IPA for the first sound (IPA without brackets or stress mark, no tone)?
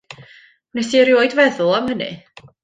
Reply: n